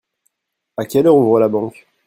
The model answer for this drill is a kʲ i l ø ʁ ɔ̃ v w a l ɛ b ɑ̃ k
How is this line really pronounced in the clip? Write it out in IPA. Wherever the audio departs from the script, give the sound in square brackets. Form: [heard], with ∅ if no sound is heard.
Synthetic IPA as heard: a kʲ [ɛ] l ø ʁ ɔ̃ v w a l [a] b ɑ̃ k